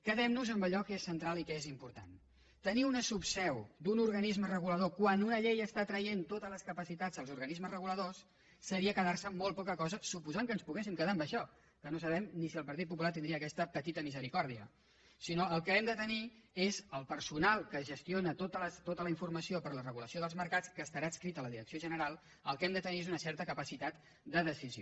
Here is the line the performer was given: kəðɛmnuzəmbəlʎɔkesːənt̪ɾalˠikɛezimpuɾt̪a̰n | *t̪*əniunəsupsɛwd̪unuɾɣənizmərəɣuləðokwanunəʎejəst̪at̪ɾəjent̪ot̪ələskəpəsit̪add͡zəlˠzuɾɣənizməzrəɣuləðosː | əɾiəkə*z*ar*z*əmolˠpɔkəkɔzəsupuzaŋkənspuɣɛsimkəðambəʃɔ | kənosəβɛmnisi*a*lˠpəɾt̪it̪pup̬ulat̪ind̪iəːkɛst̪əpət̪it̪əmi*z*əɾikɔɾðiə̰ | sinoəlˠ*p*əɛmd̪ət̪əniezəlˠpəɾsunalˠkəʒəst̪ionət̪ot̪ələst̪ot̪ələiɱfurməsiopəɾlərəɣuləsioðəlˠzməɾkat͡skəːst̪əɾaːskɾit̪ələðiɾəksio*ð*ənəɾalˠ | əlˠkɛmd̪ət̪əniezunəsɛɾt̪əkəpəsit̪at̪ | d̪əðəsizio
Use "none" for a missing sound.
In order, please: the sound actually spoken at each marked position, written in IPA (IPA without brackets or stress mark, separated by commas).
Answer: t̪, ð, s, ə, z, k, ʒ